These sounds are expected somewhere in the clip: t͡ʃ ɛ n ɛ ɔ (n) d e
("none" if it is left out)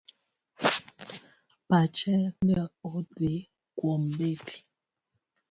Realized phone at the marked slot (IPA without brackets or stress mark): none